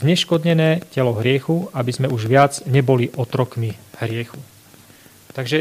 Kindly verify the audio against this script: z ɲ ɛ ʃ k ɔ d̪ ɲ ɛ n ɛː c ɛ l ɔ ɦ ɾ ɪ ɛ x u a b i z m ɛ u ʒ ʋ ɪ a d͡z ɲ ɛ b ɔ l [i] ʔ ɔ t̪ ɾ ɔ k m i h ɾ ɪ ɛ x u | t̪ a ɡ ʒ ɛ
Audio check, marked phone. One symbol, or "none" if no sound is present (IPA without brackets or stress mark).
i